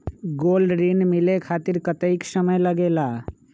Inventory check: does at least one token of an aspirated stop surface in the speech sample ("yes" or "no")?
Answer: yes